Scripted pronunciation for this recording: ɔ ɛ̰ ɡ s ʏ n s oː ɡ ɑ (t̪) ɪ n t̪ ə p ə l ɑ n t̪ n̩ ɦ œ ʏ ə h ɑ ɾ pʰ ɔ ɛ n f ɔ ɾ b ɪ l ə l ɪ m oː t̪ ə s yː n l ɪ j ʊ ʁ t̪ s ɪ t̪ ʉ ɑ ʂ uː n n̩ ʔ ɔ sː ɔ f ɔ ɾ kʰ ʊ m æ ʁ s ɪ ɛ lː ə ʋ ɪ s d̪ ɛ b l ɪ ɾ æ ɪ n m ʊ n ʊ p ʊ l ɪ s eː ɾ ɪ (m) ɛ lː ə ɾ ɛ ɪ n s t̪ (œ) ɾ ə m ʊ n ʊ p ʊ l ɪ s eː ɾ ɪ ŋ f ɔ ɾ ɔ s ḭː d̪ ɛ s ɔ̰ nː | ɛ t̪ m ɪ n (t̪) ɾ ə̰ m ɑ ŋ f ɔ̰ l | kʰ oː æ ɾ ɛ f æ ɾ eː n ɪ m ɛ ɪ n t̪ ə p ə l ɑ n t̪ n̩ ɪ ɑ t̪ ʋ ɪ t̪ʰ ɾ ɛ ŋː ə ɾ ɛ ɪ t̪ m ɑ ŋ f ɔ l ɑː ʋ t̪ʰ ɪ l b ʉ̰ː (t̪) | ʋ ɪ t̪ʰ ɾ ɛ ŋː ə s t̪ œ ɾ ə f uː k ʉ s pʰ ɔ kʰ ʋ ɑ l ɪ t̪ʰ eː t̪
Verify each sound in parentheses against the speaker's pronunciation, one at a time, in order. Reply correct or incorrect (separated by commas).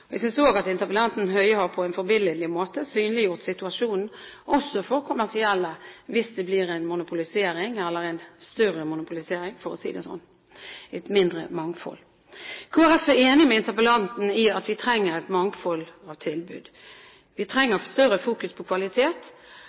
correct, incorrect, correct, incorrect, incorrect